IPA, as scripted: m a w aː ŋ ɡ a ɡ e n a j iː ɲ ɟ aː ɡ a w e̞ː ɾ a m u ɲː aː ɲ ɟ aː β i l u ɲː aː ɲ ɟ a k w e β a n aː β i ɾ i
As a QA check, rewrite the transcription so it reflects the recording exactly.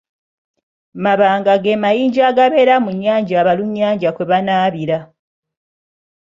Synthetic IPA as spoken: m a β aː ŋ ɡ a ɡ e m a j iː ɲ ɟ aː ɡ a β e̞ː ɾ a m u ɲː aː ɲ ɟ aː β a l u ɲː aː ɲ ɟ a k w e β a n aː β i ɾ a